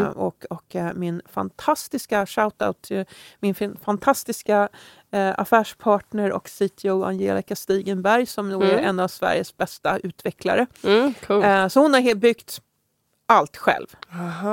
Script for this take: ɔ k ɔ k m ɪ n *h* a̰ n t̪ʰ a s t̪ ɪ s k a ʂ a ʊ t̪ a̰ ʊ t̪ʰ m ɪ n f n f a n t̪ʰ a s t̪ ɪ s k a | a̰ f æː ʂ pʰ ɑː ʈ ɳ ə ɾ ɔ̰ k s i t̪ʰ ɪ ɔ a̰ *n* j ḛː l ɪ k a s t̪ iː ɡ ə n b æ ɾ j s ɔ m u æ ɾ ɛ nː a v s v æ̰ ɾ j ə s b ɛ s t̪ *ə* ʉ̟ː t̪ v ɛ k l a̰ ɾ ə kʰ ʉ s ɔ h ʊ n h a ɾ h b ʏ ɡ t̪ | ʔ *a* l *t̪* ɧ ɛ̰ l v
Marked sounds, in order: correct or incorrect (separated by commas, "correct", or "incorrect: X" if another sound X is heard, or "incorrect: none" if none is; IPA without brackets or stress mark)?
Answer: incorrect: f, correct, incorrect: a, correct, correct